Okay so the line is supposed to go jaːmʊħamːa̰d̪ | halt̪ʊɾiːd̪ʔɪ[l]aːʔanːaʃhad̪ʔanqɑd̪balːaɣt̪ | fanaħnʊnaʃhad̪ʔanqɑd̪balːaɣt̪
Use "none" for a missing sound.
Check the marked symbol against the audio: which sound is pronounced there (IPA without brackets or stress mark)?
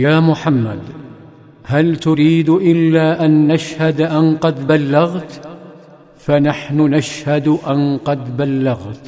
lː